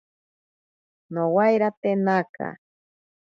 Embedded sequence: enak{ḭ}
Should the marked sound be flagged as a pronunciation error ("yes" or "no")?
yes